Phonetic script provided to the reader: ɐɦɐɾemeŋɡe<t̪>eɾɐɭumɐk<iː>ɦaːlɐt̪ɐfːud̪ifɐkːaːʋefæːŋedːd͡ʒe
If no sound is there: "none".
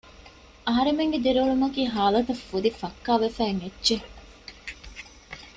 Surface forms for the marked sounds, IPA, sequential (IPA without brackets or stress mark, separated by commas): d̪, iː